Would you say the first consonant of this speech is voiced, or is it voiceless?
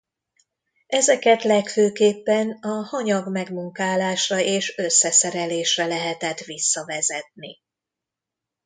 voiced